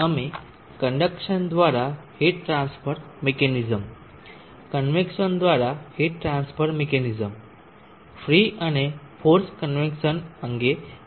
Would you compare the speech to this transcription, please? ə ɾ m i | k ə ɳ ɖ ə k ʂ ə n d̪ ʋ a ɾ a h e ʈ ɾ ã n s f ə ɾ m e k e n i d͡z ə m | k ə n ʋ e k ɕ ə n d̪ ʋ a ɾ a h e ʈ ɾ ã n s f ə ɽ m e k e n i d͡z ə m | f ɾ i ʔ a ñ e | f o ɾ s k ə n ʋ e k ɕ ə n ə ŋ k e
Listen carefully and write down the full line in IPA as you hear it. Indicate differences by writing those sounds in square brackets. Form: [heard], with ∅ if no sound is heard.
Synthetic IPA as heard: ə [∅] m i | k ə ɳ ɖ ə k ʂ ə n d̪ ʋ a ɾ a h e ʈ ɾ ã n s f ə ɾ m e k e n i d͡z ə m | k ə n ʋ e k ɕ ə n d̪ ʋ a ɾ a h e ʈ ɾ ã n s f ə [ɾ] m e k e n i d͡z ə m | f ɾ i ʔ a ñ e | f o ɾ s k ə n ʋ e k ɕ ə n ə ŋ [ɡ] e